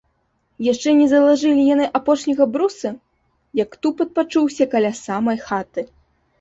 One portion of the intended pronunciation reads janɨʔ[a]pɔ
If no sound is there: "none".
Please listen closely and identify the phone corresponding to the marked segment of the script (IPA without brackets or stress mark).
a